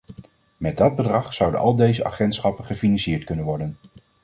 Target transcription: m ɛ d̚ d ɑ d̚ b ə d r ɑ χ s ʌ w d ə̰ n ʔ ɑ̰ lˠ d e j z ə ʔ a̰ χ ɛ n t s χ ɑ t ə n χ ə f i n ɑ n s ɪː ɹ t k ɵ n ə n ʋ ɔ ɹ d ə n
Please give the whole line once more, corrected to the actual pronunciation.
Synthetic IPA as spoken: m ɛ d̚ d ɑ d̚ b ə d r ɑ χ s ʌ w d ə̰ n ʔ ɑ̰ lˠ d e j z ə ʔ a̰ χ ɛ n t s χ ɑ p ə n χ ə f i n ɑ n s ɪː ɹ t k ɵ n ə n ʋ ɔ ɹ d ə n